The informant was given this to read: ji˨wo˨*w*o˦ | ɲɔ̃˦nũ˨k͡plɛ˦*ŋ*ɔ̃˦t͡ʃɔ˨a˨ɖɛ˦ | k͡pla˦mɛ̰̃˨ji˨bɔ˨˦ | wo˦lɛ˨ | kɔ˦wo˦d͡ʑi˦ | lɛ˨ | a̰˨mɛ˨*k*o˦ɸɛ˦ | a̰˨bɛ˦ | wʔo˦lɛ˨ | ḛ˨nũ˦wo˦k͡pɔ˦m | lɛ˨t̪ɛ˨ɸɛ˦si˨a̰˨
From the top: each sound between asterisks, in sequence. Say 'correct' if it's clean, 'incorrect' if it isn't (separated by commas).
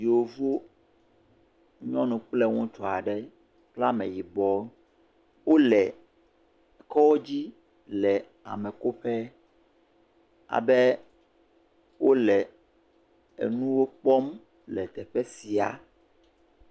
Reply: incorrect, correct, correct